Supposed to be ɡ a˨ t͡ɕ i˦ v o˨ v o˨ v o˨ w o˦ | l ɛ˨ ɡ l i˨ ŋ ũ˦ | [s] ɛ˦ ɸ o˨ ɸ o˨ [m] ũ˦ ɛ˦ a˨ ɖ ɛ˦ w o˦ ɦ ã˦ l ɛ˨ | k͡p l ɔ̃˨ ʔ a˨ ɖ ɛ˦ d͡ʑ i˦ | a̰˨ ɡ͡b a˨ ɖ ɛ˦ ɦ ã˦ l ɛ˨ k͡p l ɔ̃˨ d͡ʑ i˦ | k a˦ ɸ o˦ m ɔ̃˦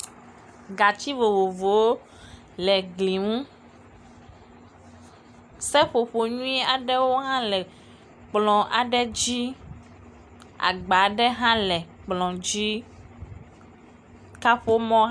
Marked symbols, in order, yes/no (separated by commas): yes, no